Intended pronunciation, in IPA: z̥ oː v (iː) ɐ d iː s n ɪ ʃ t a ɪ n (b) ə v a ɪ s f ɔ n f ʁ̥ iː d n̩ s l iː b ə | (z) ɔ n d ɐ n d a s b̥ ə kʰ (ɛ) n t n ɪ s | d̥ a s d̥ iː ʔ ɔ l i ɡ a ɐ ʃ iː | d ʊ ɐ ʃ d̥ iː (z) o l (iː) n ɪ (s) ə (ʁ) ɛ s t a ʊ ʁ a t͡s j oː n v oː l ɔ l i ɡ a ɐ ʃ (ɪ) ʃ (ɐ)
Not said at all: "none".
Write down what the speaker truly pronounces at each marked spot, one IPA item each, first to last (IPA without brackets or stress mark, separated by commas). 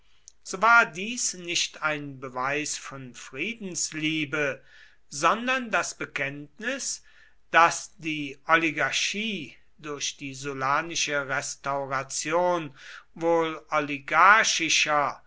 aː, b, z, ɛ, z, aː, ʃ, ʁ, ɪ, ɐ